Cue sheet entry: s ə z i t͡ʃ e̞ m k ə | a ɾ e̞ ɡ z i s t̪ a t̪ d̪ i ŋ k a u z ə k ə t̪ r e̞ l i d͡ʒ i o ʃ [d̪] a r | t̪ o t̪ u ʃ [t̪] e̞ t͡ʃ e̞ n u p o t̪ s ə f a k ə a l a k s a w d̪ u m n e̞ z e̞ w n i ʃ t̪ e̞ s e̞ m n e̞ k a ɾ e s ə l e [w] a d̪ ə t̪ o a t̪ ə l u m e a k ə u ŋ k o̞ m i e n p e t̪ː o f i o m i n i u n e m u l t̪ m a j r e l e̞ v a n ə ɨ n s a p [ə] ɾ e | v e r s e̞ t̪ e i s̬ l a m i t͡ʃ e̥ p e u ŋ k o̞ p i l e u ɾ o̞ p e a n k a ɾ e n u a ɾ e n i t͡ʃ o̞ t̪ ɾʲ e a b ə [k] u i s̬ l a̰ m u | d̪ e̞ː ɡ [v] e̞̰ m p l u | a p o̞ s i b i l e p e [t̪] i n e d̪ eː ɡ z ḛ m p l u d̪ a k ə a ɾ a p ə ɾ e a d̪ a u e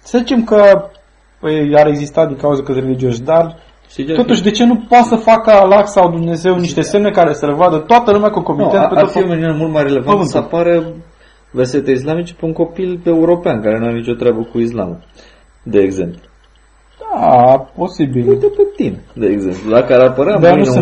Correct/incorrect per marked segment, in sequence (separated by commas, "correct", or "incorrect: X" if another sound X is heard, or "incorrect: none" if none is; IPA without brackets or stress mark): correct, incorrect: d̪, incorrect: v, incorrect: a, correct, incorrect: z, correct